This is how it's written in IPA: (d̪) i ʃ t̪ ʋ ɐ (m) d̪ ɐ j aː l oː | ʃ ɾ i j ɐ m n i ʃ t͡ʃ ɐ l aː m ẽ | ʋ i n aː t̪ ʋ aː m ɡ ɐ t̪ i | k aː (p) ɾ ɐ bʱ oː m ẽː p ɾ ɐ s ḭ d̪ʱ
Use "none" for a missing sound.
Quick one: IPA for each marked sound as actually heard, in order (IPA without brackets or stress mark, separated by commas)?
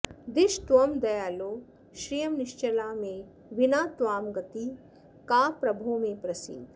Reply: d̪, m, p